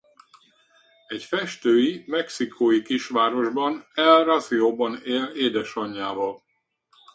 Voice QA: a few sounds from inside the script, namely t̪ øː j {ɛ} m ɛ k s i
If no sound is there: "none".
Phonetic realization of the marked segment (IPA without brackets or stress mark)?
i